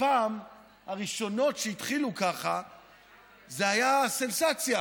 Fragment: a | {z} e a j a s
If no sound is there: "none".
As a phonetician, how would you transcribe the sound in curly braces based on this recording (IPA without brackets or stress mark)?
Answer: z